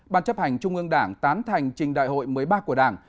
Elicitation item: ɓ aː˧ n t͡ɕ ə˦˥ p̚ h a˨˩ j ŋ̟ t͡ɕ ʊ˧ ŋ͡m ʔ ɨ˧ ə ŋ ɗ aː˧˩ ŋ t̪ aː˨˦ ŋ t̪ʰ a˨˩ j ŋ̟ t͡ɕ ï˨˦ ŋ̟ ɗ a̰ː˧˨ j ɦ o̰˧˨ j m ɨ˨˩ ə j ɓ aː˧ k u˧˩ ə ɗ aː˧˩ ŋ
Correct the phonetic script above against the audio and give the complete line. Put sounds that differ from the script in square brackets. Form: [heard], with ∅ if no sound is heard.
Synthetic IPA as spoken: ɓ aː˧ n t͡ɕ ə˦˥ p̚ h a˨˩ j ŋ̟ t͡ɕ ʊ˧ ŋ͡m ʔ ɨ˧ ə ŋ ɗ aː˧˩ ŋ t̪ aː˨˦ [n] t̪ʰ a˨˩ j ŋ̟ t͡ɕ [ï˨˩] ŋ̟ ɗ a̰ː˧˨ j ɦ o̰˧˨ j m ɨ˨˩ ə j ɓ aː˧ k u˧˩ ə ɗ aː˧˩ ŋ